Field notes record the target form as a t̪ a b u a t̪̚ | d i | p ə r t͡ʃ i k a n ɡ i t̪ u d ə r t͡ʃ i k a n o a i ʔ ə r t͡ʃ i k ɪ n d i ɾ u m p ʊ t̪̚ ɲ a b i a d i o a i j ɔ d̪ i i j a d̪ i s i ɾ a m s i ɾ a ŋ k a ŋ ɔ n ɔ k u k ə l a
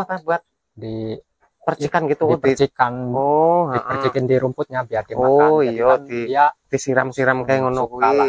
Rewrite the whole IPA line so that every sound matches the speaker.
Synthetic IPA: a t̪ a b u a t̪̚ | d i | p ə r t͡ʃ i k a n ɡ i t̪ u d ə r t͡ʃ i k a n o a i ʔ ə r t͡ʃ i k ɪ n d i ɾ u m p ʊ t̪̚ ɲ a b i a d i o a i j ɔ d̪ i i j a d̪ i s i ɾ a m s i ɾ a m k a ŋ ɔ n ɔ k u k a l a